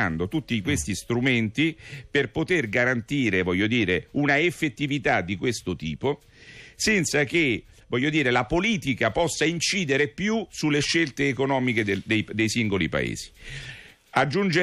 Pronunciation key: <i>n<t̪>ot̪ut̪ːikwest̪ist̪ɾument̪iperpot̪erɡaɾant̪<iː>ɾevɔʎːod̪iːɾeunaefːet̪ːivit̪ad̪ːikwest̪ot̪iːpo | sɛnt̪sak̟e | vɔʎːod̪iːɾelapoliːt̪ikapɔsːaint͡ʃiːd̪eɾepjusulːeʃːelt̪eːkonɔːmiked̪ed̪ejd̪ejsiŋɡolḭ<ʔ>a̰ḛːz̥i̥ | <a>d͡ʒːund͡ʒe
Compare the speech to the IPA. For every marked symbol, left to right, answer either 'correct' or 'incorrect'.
incorrect: a, incorrect: d̪, correct, incorrect: p, correct

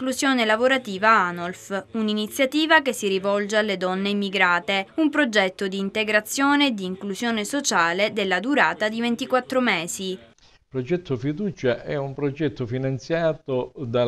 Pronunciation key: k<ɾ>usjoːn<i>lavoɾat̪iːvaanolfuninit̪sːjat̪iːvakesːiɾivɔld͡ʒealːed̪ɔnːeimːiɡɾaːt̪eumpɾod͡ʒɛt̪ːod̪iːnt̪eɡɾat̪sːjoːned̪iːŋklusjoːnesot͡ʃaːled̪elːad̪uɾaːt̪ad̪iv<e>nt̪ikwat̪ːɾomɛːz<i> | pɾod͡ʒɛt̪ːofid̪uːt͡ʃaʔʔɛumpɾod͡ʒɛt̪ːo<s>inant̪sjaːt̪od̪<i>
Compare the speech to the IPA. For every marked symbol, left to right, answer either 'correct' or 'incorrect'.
incorrect: l, incorrect: e, correct, correct, incorrect: f, incorrect: a

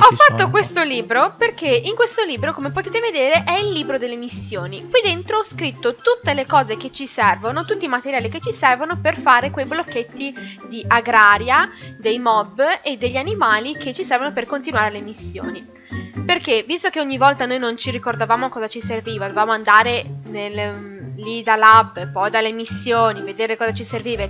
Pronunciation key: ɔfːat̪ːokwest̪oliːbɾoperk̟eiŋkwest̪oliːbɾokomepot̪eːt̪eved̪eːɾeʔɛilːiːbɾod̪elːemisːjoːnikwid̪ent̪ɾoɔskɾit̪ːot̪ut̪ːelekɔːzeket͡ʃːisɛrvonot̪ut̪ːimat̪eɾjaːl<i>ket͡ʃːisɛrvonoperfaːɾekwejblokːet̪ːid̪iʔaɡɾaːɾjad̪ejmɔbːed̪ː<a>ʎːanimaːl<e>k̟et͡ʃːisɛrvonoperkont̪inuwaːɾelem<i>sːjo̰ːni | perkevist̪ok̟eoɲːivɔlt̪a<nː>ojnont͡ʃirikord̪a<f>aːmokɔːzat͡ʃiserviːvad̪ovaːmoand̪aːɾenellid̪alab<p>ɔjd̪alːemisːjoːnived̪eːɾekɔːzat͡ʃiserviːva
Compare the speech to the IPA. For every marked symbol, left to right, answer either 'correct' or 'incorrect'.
correct, incorrect: e, incorrect: i, correct, incorrect: n, incorrect: v, correct

